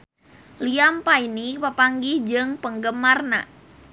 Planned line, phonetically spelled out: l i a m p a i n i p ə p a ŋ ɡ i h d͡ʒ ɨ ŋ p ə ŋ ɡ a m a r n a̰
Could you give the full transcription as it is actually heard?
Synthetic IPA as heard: l i a m p a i n i p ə p a ŋ ɡ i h d͡ʒ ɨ ŋ p ə ŋ ɡ ə m a r n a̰